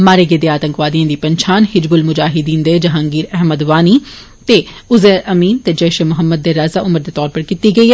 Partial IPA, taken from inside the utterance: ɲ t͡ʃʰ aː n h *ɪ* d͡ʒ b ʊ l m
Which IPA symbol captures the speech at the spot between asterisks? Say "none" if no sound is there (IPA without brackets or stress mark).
ɪ